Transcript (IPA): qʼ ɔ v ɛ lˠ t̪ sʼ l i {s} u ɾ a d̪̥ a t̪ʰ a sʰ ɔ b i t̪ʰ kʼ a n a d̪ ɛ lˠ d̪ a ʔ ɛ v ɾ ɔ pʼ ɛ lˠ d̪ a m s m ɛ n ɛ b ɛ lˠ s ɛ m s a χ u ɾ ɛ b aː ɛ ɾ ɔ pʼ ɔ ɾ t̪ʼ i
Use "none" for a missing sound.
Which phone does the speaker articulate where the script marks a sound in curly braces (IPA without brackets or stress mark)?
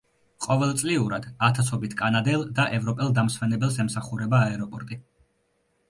none